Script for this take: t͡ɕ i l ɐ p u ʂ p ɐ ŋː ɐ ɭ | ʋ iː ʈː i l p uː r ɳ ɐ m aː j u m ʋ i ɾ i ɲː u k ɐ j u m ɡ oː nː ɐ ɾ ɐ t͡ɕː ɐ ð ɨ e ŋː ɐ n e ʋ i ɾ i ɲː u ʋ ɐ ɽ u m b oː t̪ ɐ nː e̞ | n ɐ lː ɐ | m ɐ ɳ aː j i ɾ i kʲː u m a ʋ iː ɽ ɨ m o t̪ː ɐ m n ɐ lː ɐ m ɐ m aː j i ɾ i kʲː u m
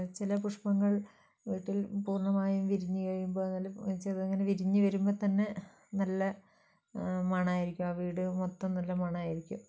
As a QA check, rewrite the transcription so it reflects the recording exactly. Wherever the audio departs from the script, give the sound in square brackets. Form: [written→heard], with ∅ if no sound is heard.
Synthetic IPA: t͡ɕ i l ɐ p u ʂ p ɐ ŋː ɐ ɭ | ʋ iː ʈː i l p uː r ɳ ɐ m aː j u m ʋ i ɾ i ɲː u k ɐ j u m [ɡ→b] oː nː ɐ [ɾ→l] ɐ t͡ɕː ɐ ð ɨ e ŋː ɐ n e ʋ i ɾ i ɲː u ʋ ɐ [ɽ→ɾ] u m b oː t̪ ɐ nː e̞ | n ɐ lː ɐ | m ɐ ɳ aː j i ɾ i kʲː u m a ʋ iː ɽ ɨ m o t̪ː ɐ m n ɐ lː ɐ m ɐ [m→ɳ] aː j i ɾ i kʲː u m